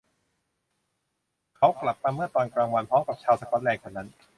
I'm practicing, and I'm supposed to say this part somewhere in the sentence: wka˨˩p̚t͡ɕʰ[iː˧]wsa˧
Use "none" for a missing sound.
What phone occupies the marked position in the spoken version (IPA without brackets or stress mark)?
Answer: aː˧